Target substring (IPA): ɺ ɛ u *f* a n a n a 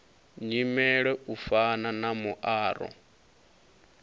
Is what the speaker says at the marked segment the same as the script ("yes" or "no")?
yes